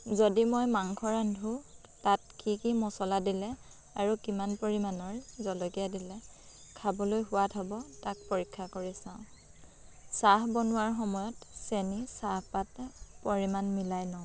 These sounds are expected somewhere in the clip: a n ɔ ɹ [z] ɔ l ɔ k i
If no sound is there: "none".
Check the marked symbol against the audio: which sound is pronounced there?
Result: z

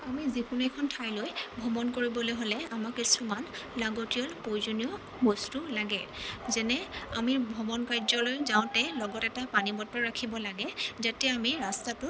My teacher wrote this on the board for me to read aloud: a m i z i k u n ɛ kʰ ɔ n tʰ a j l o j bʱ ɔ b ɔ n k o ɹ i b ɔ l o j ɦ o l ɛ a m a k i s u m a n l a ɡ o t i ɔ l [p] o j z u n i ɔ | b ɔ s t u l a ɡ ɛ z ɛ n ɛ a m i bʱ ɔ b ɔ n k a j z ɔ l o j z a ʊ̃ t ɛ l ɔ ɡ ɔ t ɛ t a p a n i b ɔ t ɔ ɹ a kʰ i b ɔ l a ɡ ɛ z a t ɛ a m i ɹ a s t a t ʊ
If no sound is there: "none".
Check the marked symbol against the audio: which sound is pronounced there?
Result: p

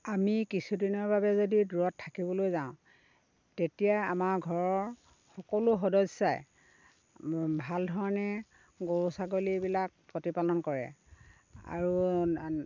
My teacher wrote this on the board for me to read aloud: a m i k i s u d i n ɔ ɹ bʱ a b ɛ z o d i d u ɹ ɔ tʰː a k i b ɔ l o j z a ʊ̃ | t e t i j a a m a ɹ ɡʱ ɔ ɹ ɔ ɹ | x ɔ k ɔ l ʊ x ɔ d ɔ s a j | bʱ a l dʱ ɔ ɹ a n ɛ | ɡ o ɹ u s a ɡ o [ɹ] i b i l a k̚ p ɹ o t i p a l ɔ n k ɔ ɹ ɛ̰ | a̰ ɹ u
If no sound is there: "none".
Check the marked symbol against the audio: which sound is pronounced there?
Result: l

